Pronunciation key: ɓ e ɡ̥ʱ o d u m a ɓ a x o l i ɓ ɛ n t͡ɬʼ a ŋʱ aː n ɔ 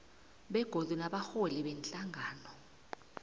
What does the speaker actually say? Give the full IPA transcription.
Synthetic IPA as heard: ɓ ɛ ɡ̥ʱ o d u n a ɓ a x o l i ɓ ɛ n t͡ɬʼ a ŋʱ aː n ɔ